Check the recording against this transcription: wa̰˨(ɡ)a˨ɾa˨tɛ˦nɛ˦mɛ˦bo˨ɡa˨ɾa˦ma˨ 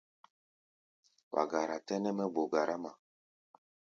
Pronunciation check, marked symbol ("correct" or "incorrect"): correct